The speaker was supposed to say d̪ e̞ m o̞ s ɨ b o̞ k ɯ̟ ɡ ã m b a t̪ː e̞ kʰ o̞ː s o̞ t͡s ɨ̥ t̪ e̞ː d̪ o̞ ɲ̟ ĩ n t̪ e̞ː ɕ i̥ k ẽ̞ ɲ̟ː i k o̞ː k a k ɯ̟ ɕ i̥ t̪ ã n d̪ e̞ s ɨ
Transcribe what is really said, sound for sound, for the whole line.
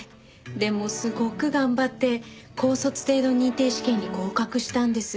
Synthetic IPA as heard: d̪ e̞ m o̞ s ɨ ɡ o̞ k ɯ̟ ɡ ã m b a t̪ː e̞ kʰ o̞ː s o̞ t͡s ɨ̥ t̪ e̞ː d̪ o̞ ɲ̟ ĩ n t̪ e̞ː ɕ i̥ k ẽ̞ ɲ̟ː i k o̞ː k a k ɯ̟ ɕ i̥ t̪ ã n d̪ e̞ s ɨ